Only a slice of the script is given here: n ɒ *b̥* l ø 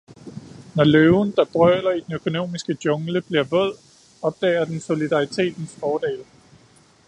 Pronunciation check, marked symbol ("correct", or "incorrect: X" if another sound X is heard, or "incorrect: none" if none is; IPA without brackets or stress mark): incorrect: none